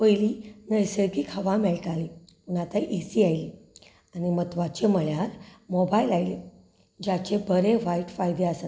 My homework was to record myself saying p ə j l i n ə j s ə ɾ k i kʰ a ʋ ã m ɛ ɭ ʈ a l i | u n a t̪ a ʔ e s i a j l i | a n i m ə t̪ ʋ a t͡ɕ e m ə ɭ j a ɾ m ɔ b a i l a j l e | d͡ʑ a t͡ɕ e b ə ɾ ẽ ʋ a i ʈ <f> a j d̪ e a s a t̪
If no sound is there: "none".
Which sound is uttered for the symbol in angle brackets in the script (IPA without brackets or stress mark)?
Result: f